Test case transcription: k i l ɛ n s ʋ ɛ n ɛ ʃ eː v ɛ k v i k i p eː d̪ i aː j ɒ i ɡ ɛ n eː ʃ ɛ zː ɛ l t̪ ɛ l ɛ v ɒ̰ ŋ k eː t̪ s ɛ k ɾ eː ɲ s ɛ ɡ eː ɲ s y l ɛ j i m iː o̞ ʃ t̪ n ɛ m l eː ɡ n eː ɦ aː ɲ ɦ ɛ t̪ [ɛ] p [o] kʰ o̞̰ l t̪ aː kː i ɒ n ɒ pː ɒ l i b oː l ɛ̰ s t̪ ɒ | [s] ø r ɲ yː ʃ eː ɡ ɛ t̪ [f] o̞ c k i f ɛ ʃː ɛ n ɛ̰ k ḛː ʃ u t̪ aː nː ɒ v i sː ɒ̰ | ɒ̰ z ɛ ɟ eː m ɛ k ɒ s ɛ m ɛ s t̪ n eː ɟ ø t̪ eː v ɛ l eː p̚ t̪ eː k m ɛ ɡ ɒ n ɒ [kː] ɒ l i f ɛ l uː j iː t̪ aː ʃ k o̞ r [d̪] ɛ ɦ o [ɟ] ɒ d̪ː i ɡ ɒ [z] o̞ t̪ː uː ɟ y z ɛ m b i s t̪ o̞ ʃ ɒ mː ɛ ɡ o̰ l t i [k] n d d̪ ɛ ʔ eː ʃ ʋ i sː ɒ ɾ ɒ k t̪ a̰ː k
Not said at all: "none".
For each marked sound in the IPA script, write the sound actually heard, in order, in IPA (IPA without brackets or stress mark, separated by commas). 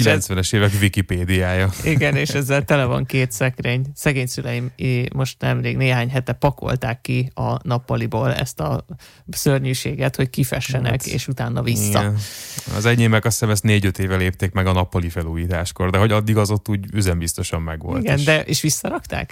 ɛ, ɒ, s, h, pː, d̪, ɟ, z, ɡ